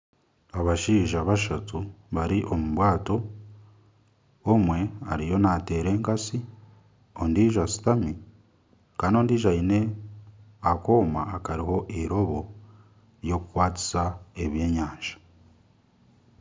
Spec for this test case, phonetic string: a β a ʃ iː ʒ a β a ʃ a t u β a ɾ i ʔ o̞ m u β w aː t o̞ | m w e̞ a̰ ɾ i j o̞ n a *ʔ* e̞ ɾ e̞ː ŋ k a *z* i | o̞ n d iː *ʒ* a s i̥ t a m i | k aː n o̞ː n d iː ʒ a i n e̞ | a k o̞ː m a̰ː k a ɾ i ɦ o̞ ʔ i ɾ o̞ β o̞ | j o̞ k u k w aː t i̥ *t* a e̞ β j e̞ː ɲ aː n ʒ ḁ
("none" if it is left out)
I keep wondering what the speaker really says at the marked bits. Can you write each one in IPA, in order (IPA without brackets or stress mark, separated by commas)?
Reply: t, s, ʒ, s